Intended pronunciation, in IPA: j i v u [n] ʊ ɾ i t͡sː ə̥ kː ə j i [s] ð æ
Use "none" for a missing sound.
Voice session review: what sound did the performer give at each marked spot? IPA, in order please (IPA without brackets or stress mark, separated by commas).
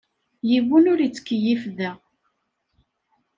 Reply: n, f